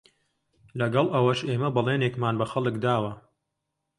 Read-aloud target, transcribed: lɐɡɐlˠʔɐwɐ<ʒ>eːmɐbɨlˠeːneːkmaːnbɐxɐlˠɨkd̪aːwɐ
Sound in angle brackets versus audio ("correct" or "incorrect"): incorrect